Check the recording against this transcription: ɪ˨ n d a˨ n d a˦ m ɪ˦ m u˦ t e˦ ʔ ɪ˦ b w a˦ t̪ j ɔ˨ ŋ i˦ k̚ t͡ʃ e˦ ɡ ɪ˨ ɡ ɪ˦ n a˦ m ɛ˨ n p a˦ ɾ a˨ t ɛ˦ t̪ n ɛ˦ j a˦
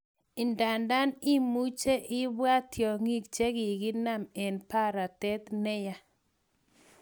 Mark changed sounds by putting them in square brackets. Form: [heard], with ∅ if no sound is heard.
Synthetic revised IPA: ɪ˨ n d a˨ n d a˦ [n] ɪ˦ m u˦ [t͡ʃ] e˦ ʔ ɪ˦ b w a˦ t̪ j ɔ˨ ŋ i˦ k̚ t͡ʃ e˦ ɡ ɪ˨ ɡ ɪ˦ n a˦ m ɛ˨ n p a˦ ɾ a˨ t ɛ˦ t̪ n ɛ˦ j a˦